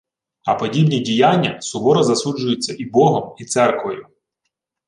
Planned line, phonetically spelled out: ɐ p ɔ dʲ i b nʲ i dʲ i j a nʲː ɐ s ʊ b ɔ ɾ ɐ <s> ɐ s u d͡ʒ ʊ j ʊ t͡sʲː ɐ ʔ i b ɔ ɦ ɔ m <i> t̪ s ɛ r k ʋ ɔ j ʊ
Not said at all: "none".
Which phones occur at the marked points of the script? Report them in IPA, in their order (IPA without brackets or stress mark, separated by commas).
z, i